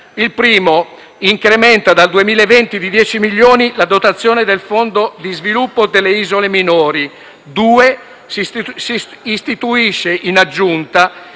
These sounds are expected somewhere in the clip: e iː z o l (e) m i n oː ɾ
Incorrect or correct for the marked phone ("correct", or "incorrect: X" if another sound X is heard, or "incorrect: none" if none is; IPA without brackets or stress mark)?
correct